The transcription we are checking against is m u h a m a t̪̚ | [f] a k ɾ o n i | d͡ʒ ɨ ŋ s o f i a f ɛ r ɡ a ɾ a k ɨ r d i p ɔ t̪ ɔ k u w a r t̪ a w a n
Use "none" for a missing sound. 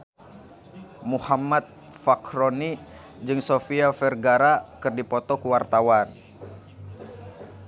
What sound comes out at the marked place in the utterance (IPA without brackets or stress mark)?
f